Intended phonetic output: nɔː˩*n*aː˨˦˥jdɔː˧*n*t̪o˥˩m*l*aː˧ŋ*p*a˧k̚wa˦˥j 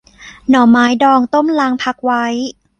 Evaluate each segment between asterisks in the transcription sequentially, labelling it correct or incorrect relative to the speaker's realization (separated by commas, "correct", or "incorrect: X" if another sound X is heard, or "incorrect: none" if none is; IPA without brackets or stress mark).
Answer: incorrect: m, incorrect: ŋ, correct, incorrect: pʰ